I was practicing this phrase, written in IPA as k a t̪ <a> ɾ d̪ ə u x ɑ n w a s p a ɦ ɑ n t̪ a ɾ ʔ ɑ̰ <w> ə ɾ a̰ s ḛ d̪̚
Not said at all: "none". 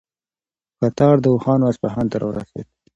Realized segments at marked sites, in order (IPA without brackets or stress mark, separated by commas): ɑ, w